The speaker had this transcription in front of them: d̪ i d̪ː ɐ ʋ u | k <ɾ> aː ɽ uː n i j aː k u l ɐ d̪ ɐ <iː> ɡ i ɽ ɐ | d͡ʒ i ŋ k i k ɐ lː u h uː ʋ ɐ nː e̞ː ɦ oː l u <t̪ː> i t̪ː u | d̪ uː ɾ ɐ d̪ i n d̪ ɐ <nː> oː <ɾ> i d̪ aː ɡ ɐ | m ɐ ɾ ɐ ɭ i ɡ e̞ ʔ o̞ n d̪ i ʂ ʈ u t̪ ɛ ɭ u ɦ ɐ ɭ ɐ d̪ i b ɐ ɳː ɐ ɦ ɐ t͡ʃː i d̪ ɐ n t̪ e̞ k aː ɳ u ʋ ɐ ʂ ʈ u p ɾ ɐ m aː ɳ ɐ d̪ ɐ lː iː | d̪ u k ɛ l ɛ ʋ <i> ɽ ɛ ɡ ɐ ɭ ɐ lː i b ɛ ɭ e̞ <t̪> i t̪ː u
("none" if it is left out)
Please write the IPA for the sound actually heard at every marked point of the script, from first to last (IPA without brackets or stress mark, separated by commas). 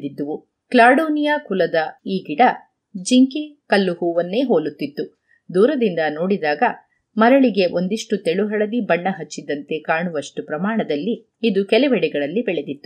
l, iː, t̪ː, n, ɽ, ɛ, d̪